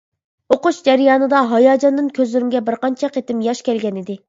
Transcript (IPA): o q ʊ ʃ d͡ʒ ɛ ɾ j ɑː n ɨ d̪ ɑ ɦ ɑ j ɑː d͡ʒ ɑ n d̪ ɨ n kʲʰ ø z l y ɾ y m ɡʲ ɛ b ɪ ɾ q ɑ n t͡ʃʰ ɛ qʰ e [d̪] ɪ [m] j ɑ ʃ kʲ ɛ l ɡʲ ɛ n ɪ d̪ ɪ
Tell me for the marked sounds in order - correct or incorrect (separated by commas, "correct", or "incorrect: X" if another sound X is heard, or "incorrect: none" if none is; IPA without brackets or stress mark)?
incorrect: t̪, correct